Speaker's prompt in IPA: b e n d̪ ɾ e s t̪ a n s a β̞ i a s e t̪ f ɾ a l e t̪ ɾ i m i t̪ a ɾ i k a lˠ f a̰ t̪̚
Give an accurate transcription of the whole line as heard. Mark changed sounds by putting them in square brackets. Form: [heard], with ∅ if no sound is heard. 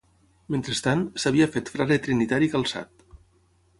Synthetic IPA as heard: [m] e n [t̪] ɾ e s t̪ a n s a β̞ i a [f] e t̪ f ɾ a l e t̪ ɾ i [n] i t̪ a ɾ i k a lˠ [s] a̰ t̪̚